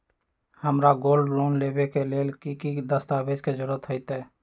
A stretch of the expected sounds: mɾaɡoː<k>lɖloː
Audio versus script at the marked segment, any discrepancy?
yes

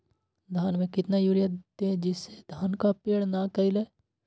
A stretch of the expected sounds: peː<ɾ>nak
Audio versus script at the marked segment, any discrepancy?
yes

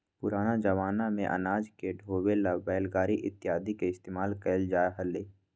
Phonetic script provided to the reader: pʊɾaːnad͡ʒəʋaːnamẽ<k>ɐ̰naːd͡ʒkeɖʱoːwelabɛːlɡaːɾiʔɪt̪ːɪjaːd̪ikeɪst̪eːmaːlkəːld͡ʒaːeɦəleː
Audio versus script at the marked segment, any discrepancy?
yes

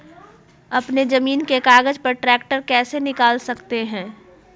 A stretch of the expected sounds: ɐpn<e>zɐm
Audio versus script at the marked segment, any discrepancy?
no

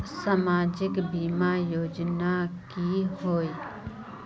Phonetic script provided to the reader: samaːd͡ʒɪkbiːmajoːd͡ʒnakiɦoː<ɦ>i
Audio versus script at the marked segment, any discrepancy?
yes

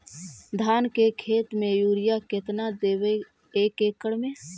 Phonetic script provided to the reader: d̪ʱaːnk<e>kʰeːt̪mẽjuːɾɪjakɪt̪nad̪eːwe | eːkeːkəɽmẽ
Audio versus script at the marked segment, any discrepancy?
no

